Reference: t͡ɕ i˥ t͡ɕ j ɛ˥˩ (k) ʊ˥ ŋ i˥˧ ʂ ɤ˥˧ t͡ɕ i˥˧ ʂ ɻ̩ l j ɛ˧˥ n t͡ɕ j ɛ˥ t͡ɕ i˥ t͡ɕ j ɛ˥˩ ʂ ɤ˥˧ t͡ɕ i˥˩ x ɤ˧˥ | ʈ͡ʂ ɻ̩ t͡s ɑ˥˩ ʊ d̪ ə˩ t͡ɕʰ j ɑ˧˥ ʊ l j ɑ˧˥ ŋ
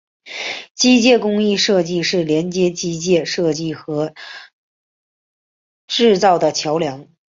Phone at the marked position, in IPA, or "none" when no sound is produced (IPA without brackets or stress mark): k